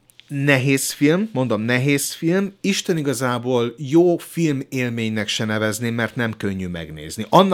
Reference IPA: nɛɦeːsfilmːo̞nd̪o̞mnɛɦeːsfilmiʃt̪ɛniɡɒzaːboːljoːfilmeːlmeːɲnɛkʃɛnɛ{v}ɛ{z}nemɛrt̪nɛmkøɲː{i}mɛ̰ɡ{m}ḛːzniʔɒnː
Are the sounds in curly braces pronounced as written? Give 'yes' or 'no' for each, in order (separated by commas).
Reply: yes, yes, no, no